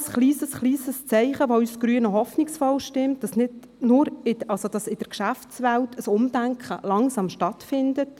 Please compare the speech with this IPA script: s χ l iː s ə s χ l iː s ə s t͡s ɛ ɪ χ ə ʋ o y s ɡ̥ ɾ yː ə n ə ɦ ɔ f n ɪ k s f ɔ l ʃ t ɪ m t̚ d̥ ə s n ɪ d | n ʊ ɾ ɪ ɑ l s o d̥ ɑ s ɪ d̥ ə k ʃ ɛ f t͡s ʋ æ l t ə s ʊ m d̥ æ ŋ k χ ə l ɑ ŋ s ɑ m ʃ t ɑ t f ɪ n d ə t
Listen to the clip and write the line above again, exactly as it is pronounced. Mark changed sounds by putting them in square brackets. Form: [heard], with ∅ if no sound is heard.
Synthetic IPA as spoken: s χ l iː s ə s χ l iː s ə s t͡s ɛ ɪ χ ə ʋ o y s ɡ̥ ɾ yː ə n ə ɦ ɔ f n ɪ k s f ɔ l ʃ t ɪ m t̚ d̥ [ɑ] s n ɪ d | n ʊ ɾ ɪ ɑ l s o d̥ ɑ s ɪ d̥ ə k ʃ [æ] f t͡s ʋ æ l t ə s ʊ m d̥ æ ŋ k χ ə l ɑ ŋ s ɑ m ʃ t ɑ t f ɪ n d ə t